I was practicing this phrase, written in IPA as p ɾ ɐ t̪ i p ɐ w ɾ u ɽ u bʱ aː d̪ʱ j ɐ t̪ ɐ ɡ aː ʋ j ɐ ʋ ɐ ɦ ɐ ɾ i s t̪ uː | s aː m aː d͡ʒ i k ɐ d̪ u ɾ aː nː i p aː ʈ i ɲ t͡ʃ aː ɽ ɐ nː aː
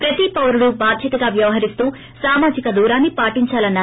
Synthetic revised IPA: p ɾ ɐ t̪ i p ɐ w ɾ u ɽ u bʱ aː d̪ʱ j ɐ t̪ ɐ ɡ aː ʋ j ɐ ʋ ɐ ɦ ɐ ɾ i s t̪ uː | s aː m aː d͡ʒ i k ɐ d̪ uː ɾ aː nː i p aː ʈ i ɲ t͡ʃ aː l ɐ nː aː

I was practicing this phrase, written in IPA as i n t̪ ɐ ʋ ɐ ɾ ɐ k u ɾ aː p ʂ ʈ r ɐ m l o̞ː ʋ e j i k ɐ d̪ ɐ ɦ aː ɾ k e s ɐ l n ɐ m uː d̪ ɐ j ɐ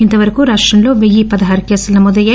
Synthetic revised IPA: i n t̪ ɐ ʋ ɐ ɾ ɐ k u ɾ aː ʂ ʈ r ɐ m l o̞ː ʋ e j i p ɐ d̪ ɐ ɦ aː ɾ k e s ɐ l n ɐ m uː d̪ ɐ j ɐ

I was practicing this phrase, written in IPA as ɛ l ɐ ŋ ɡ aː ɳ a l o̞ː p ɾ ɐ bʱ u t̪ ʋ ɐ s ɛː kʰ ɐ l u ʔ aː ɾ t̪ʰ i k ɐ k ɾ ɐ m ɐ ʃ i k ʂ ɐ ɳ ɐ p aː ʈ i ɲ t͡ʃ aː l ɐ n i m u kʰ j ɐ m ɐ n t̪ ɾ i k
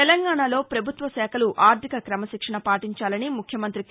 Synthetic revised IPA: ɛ l ɐ ŋ ɡ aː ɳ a l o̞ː p ɾ ɐ bʱ u t̪ ʋ ɐ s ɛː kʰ ɐ l u ʔ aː ɾ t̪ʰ i k ɐ k ɾ ɐ m ɐ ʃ i k ʂ ɐ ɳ ɐ p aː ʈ i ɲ t͡ʃ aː l ɐ n i m u kʰ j ɐ m ɐ n t̪ ɾ i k

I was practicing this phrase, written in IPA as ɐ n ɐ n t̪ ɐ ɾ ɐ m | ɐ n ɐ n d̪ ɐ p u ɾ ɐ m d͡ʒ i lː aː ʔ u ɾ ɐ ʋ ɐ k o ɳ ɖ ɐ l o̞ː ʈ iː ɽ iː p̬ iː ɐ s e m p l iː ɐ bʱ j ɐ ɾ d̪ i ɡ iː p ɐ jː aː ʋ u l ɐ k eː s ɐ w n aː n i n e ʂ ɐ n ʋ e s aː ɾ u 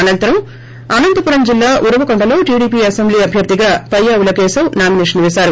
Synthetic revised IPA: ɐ n ɐ n t̪ ɐ ɾ ɐ m | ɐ n ɐ n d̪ ɐ p u ɾ ɐ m d͡ʒ i lː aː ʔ u ɾ ɐ ʋ ɐ k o ɳ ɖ ɐ l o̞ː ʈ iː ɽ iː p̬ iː ɐ s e m b l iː ɐ bʱ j ɐ ɾ d̪ i ɡ aː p ɐ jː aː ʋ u l ɐ k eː s ɐ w n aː m i n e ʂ ɐ n ʋ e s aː ɾ u

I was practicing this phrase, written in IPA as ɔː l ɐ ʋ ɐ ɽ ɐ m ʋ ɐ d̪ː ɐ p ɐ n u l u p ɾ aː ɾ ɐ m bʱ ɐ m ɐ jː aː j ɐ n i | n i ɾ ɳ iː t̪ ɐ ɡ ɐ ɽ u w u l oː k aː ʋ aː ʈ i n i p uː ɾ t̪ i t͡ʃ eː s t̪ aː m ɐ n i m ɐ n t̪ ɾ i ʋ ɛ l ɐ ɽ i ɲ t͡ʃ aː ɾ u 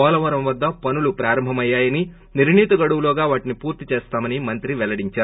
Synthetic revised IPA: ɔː l ɐ ʋ ɐ ɾ ɐ m ʋ ɐ d̪ː ɐ p ɐ n u l u p ɾ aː ɾ ɐ m bʱ ɐ m ɐ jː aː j ɐ n i | n i ɾ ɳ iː t̪ ɐ ɡ ɐ ɽ u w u l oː ɡ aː ʋ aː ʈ i n i p uː ɾ t̪ i t͡ʃ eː s t̪ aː m ɐ n i m ɐ n t̪ ɾ i ʋ ɛ l ɐ ɽ i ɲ t͡ʃ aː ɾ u

